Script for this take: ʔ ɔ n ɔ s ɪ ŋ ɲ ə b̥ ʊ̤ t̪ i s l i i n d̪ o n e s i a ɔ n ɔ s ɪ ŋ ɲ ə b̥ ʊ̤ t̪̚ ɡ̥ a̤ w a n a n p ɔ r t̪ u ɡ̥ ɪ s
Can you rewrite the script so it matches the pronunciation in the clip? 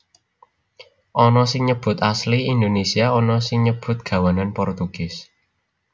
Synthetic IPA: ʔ ɔ n ɔ s ɪ ŋ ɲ ə b̥ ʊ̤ t̪ a s l i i n d̪ o n e s i a ɔ n ɔ s ɪ ŋ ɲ ə b̥ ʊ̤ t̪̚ ɡ̥ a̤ w a n a n p ɔ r t̪ u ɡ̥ ɪ s